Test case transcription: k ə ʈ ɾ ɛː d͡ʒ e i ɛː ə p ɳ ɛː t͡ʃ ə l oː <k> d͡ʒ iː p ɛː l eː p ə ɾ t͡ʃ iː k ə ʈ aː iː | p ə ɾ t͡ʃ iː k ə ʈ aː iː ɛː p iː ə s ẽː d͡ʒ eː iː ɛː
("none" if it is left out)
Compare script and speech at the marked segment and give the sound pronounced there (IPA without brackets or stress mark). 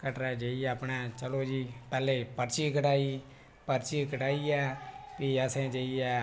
none